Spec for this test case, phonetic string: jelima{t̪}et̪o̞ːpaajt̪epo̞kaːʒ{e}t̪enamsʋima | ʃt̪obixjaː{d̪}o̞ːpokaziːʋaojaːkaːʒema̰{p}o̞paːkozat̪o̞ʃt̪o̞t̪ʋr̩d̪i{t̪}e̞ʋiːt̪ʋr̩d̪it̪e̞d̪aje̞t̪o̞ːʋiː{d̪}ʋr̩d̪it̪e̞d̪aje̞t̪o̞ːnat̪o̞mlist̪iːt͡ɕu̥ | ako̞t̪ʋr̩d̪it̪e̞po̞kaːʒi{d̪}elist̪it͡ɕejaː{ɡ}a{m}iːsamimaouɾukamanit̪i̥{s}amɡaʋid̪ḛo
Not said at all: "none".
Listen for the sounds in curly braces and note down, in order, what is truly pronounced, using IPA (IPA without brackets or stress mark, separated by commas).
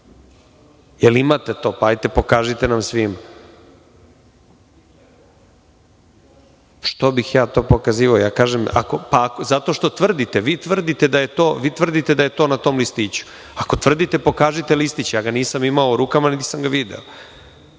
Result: t̪, i, t̪, k, t̪, t̪, t̪, ɡ, n, s